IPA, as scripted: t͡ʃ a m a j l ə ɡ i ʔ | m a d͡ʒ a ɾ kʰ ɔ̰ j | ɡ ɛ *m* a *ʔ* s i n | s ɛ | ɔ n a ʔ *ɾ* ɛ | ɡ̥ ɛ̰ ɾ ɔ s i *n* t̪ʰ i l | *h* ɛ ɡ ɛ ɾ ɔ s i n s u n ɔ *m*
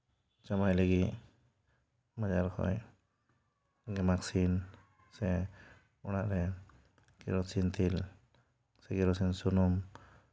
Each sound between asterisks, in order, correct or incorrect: correct, incorrect: k, correct, correct, incorrect: s, correct

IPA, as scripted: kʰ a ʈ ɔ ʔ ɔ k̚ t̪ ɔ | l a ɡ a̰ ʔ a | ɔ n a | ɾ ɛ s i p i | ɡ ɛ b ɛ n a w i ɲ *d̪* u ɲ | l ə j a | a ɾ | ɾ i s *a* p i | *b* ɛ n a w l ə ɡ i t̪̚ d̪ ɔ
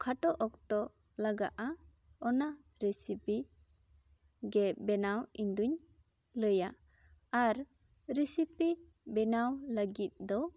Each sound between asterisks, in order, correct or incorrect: correct, incorrect: i, correct

